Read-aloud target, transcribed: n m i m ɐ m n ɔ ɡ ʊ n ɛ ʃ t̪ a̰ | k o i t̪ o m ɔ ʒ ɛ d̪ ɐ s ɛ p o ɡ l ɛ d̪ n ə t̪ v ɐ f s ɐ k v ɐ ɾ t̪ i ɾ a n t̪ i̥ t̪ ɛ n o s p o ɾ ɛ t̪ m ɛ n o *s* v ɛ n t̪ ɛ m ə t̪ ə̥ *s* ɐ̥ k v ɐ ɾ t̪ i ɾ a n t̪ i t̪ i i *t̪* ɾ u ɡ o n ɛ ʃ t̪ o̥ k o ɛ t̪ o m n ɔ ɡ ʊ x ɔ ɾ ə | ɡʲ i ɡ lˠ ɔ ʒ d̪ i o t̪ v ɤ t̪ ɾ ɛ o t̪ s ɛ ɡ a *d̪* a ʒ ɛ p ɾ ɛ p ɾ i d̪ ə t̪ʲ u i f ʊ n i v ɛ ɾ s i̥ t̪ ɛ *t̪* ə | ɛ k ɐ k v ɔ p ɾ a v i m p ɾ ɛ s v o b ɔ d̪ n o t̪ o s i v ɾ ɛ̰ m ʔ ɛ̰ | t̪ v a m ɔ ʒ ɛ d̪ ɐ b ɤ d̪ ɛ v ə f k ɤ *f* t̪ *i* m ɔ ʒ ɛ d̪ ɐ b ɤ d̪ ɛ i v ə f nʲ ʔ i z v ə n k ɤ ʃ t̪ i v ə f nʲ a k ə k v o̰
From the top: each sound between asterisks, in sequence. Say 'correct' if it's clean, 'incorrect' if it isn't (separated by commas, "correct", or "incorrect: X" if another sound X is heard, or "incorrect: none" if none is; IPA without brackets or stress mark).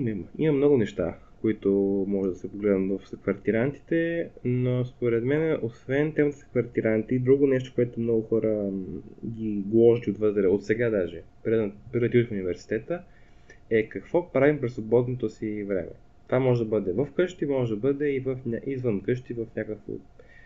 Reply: correct, correct, incorrect: d̪, correct, correct, incorrect: ʃ, correct